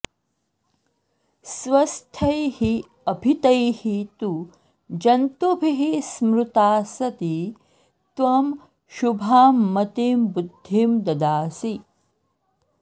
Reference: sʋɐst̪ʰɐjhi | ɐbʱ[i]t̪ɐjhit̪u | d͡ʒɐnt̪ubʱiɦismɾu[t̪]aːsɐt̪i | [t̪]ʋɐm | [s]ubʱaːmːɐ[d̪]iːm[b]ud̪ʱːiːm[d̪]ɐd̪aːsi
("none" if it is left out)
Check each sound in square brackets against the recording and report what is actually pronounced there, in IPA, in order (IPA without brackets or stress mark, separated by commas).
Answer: i, t̪, t̪, ʃ, t̪, b, d̪